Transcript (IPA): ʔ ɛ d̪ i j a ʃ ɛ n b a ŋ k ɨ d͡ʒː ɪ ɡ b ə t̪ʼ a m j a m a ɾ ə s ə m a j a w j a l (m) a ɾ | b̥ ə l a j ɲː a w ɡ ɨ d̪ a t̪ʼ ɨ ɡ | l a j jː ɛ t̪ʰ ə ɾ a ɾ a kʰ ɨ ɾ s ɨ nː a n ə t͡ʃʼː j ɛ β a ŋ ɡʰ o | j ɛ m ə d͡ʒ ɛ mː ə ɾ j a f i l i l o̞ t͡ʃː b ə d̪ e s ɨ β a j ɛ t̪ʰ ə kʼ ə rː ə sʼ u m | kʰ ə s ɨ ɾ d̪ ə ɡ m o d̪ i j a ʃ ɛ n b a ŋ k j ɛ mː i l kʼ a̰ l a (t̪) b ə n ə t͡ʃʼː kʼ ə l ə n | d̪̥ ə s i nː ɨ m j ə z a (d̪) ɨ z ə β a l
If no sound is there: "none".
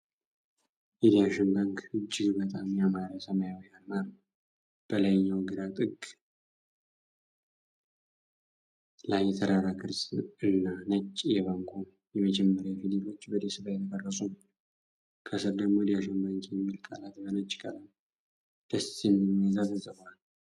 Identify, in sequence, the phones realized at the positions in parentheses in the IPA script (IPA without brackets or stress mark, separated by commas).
m, t̪, t̪